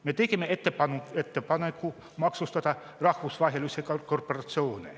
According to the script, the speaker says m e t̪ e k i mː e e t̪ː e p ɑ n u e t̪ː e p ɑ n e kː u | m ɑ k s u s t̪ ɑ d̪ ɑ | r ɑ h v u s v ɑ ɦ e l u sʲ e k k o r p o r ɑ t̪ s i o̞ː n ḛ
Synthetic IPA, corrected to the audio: m e t̪ e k i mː e e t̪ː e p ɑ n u e t̪ː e p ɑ n e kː u | m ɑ k s u s t̪ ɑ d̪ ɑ | r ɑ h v u s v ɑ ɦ e l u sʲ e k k o r p o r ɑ t̪ s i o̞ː n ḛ